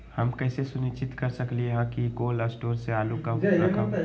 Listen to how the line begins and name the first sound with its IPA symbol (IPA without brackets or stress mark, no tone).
h